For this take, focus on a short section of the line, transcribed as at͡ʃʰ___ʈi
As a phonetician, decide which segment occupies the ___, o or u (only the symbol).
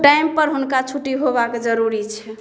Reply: u